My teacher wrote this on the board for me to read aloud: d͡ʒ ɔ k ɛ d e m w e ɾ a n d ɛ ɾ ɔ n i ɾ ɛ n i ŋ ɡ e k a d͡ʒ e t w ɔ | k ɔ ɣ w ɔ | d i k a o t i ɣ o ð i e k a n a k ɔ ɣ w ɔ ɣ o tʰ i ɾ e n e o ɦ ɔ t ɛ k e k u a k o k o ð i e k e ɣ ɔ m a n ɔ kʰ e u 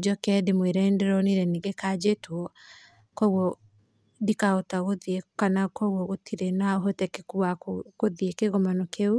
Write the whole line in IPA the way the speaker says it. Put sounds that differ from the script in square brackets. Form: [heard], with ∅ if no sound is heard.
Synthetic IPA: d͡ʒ ɔ k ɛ d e m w e ɾ [ɛ] n d ɛ ɾ ɔ n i ɾ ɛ n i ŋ ɡ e k a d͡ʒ e t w ɔ | k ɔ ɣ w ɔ | d i k a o t [a] ɣ o ð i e k a n a k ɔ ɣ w ɔ ɣ o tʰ i ɾ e n [a] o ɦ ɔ t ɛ k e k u a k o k o ð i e k e ɣ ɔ m a n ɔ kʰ e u